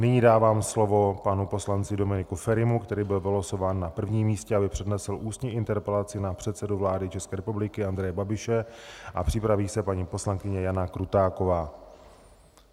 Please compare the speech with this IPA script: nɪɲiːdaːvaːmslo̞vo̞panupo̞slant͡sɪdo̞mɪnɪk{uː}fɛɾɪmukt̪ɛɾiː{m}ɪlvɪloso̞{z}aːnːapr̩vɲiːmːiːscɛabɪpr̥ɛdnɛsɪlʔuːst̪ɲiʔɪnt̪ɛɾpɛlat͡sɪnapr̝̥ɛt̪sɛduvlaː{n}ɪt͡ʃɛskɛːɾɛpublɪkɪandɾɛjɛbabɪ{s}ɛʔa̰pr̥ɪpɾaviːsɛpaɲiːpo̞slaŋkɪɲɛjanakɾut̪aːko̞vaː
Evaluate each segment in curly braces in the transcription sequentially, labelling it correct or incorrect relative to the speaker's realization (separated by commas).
incorrect, incorrect, incorrect, incorrect, incorrect